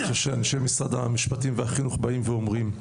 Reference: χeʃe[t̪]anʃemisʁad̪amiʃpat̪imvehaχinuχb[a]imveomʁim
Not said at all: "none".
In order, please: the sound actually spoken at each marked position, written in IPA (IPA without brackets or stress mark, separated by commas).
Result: none, a